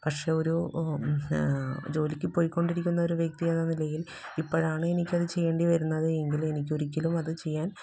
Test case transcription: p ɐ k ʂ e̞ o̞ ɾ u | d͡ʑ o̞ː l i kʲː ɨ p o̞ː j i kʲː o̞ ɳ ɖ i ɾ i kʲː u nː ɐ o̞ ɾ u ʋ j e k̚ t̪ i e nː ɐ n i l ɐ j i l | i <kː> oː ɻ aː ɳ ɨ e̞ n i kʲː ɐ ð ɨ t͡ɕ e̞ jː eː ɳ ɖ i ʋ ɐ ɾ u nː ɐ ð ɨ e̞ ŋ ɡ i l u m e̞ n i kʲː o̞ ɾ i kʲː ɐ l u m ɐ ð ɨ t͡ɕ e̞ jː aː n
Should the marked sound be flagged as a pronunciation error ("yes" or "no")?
yes